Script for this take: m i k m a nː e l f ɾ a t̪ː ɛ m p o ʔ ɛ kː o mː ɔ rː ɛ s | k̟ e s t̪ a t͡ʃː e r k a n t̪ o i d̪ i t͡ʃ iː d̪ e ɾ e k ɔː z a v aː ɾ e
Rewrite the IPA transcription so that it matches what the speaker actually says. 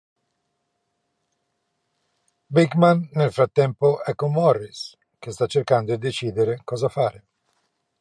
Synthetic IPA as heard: b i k m a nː e l f ɾ a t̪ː ɛ m p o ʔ ɛ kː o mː ɔ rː i s | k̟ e s t̪ a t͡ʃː e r k a n d̪ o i d̪ e t͡ʃ iː d̪ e ɾ e k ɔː z a f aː ɾ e